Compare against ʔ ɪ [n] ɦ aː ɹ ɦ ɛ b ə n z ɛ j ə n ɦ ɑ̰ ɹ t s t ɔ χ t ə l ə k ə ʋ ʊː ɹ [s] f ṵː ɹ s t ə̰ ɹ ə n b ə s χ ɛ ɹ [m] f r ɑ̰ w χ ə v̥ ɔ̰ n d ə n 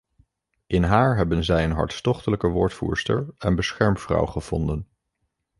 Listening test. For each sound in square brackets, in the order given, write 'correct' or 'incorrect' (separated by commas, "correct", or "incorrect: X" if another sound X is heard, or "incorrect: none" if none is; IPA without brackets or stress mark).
correct, incorrect: t, correct